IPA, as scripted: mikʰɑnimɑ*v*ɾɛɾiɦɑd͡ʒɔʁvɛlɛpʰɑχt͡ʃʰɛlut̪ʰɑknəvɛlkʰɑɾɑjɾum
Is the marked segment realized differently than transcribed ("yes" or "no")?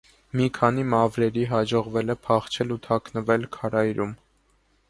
no